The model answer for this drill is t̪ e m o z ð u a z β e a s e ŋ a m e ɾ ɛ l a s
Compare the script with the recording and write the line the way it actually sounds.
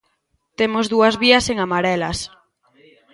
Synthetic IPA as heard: t̪ e m o z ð u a z β i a s e ŋ a m a ɾ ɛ l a s